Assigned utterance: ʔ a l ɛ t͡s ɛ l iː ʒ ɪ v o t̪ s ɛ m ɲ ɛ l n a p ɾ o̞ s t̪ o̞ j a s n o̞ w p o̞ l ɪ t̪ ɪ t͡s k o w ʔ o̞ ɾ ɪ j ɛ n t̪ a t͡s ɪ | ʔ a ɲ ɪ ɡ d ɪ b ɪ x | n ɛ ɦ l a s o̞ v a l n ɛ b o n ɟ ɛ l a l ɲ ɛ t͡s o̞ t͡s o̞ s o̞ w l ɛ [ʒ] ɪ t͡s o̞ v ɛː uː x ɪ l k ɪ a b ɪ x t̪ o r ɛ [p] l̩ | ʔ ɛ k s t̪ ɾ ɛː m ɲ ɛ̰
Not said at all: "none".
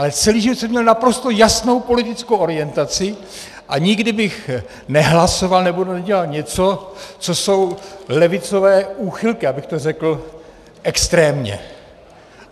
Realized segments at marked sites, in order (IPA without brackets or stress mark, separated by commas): v, k